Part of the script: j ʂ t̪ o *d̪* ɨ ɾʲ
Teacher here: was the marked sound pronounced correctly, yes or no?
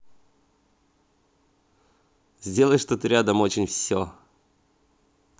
no